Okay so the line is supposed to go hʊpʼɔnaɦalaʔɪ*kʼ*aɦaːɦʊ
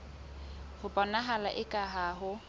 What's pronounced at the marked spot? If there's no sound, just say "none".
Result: kʼ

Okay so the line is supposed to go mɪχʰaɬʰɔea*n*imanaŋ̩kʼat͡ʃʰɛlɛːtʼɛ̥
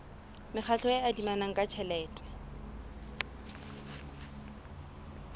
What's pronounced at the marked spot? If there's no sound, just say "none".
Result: d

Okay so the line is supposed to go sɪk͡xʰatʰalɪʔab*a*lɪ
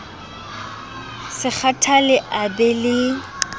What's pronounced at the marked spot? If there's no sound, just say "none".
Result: ɛ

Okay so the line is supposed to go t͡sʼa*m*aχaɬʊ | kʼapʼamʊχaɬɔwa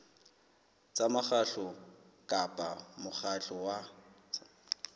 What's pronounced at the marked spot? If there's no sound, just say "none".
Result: m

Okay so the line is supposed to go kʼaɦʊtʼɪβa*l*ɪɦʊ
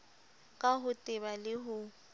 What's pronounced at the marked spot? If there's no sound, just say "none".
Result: l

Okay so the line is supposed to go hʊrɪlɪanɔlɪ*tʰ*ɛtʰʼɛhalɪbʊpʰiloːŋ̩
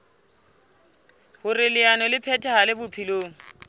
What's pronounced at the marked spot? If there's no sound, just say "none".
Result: pʰ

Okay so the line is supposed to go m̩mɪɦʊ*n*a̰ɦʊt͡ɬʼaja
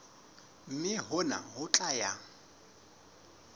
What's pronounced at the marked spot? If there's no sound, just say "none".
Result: n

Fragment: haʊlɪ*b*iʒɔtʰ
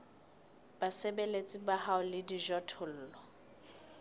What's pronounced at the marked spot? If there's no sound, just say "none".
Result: d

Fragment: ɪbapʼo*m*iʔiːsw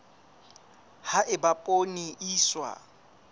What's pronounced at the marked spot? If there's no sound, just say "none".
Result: n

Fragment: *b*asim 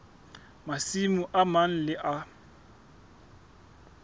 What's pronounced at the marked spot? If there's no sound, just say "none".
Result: m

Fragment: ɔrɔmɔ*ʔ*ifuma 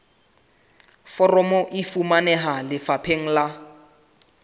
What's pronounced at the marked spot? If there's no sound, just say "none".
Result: ʔ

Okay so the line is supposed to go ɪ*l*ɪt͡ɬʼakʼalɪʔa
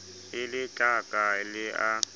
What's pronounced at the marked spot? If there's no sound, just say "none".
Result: l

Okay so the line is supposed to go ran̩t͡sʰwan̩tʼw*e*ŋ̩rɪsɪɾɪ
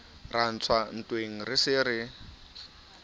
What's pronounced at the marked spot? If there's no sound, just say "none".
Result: e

